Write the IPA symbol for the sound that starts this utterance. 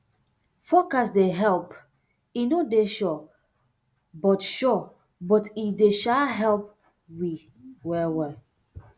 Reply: f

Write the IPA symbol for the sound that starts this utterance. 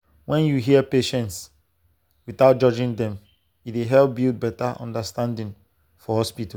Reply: w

